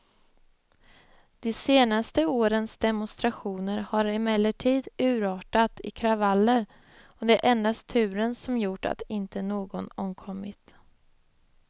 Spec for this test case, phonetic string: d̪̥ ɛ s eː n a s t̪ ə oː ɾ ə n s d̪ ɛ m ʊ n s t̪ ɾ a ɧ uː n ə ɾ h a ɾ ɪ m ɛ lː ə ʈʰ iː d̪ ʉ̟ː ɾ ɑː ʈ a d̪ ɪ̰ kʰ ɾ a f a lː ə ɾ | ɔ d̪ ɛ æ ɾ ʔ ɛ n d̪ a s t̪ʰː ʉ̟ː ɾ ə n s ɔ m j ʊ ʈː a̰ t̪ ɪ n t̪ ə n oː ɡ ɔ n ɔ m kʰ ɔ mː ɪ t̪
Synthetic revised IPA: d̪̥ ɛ s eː n a s t̪ ə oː ɾ ə n s d̪ ɛ m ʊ n s t̪ ɾ a ɧ uː n ə ɾ h a ɾ ɪ m ɛ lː ə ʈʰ iː d̪ ʉ̟ː ɾ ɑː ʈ a t̪ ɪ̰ kʰ ɾ a v a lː ə ɾ | ɔ d̪ ɛ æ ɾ ʔ ɛ n d̪ a s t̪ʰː ʉ̟ː ɾ ə n s ɔ m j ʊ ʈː a̰ t̪ ɪ n t̪ ə n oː ɡ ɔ n ɔ m kʰ ɔ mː ɪ t̪